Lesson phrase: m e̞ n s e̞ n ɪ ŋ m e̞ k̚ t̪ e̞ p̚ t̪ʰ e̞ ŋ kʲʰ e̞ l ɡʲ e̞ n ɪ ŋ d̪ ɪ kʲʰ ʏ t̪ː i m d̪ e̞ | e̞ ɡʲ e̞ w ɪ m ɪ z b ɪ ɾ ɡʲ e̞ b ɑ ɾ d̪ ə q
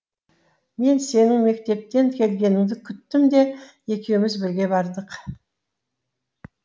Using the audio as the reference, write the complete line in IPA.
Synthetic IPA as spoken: m e̞ n s e̞ n ɪ ŋ m e̞ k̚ t̪ e̞ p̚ t̪ e̞ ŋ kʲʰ e̞ l ɡʲ e̞ n ɪ ŋ d̪ ɪ kʲʰ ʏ t̪ː ɪ m d̪ e̞ | e̞ kʲ e̞ w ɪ m ɪ z b ɪ ɾ ɡʲ e̞ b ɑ ɾ d̪ ə q